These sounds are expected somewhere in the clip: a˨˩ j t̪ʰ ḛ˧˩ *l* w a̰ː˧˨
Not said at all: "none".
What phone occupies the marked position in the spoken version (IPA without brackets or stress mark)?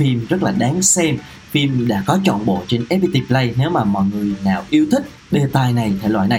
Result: l